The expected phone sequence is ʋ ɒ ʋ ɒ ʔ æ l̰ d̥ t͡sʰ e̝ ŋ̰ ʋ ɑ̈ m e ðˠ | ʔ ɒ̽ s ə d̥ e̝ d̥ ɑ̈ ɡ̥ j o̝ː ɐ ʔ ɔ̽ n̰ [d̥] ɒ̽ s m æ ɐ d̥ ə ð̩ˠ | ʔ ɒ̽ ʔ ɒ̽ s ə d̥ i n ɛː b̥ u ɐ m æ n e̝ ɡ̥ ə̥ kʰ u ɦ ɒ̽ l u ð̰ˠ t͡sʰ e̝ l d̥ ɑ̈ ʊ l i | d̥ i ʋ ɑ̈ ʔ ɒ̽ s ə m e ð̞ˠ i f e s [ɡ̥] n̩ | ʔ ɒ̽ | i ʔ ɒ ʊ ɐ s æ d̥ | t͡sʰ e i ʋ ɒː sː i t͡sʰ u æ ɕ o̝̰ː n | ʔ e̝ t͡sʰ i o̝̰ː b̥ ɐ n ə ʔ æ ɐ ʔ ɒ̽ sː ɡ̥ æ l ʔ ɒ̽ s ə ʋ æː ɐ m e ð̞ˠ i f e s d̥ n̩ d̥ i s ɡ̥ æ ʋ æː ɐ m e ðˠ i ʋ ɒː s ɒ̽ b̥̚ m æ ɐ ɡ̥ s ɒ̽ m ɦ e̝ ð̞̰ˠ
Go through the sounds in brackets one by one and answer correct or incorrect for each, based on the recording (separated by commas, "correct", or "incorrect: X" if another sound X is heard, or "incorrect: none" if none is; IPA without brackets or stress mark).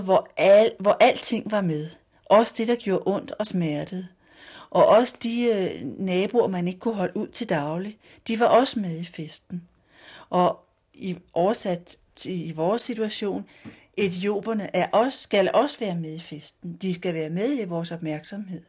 correct, incorrect: d̥